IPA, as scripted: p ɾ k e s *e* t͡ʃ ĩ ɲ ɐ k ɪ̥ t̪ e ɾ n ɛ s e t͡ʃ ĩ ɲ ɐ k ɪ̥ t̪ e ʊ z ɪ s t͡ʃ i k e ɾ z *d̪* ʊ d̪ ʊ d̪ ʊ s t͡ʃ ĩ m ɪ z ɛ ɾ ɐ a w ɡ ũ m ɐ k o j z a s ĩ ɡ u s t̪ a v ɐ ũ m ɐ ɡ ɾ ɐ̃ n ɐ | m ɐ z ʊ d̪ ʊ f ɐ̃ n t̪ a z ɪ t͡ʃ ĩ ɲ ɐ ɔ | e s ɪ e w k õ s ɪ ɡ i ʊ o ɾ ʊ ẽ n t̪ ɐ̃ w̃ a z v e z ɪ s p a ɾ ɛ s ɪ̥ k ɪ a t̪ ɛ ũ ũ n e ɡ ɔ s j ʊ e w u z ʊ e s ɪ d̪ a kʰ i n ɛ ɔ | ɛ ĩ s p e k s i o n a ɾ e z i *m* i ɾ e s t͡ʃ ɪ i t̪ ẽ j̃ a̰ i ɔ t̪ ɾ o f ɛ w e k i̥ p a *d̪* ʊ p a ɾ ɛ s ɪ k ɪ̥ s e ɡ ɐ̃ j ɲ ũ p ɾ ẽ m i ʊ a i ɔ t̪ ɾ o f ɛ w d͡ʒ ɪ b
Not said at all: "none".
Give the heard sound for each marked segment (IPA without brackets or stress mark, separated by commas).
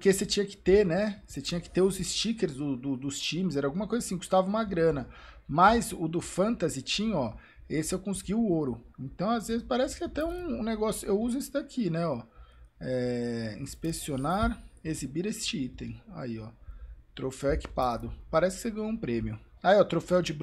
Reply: e, d̪, b, d̪